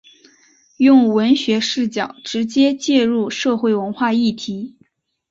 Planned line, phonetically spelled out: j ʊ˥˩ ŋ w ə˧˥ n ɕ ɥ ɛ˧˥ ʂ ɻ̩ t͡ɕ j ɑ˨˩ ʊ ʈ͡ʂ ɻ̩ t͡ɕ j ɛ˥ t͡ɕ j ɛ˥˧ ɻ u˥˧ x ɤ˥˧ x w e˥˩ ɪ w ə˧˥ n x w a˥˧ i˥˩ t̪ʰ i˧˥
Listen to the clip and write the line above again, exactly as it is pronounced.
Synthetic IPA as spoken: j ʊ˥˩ ŋ w ə˧˥ n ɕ ɥ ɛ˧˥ ʂ ɻ̩ t͡ɕ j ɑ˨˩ ʊ ʈ͡ʂ ɻ̩ t͡ɕ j ɛ˥ t͡ɕ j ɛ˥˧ ɻ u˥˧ ʂ ɤ˥˧ x w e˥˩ ɪ w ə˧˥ n x w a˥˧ i˥˩ t̪ʰ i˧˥